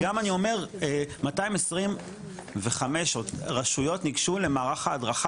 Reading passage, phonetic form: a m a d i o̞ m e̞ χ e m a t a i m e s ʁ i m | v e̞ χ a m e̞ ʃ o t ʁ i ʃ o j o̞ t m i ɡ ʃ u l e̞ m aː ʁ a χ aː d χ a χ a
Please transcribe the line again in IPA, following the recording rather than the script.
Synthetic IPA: a m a n i o̞ m e̞ ʁ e m a t a i m e s ʁ i m | v e̞ χ a m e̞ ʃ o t ʁ a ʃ u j o̞ t n i ɡ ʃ u l e̞ m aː ʁ a χ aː d ʁ a χ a